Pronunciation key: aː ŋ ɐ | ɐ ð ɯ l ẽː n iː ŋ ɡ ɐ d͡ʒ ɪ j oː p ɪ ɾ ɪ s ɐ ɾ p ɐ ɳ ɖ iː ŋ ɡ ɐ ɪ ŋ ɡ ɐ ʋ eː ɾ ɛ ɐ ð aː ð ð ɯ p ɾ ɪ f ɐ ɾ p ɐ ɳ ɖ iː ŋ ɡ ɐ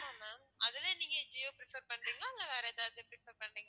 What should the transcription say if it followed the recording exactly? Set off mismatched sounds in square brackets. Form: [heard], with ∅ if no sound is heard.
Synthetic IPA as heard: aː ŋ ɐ | ɐ ð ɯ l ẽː n iː ŋ ɡ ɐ d͡ʒ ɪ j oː p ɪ ɾ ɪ [f] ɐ ɾ p ɐ ɳ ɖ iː ŋ ɡ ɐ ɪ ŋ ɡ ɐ ʋ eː ɾ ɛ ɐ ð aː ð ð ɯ p ɾ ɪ f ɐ ɾ p ɐ ɳ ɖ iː ŋ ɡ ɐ